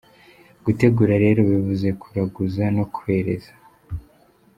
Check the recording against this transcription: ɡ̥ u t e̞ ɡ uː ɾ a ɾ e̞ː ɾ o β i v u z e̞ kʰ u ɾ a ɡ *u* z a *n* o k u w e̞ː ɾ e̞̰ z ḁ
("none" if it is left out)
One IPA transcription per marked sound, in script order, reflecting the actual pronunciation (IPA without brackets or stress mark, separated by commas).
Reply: u, n